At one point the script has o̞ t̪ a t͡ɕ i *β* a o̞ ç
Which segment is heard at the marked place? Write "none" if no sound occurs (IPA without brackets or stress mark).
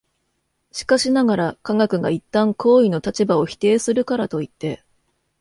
b